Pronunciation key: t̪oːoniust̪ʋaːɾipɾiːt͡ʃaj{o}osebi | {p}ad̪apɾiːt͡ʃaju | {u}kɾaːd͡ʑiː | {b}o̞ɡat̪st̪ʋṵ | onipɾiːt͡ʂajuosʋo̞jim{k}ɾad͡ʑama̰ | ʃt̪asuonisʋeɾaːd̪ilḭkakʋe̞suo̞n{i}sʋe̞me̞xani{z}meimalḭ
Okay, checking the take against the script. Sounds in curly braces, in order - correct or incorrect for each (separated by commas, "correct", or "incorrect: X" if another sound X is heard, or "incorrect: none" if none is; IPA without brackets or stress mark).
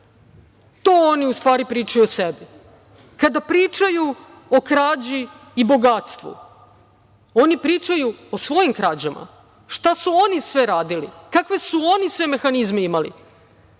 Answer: incorrect: u, incorrect: k, incorrect: o, correct, correct, correct, correct